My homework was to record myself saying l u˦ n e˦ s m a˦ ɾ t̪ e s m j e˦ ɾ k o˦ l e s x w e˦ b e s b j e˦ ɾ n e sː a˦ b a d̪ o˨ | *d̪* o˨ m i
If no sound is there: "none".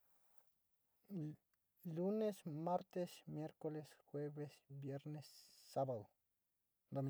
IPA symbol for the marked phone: d̪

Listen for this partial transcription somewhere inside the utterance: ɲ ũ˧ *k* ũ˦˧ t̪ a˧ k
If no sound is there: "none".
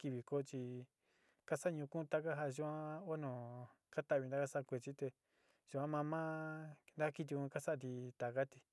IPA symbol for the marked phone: k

